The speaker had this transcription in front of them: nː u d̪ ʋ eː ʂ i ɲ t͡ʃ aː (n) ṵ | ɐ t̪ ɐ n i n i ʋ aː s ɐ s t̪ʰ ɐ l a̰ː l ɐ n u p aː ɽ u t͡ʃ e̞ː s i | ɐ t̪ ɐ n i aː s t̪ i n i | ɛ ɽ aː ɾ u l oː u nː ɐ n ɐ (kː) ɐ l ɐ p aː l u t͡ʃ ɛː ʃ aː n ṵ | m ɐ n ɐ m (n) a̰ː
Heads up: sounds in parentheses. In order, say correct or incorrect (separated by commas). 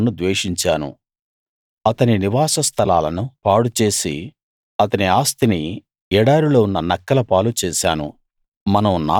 correct, correct, correct